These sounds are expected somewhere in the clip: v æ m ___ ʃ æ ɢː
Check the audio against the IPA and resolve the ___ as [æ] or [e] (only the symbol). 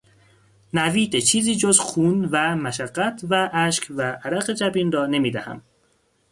æ